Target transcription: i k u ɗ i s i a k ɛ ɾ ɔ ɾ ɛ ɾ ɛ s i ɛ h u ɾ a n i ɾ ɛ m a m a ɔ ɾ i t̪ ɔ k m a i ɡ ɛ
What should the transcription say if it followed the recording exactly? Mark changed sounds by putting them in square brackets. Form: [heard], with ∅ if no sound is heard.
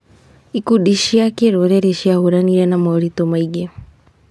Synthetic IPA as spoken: i k u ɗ i [ʃ] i a k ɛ ɾ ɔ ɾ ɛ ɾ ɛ [ʃ] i [a] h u ɾ a n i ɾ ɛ [n] a m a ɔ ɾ i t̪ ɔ [∅] m a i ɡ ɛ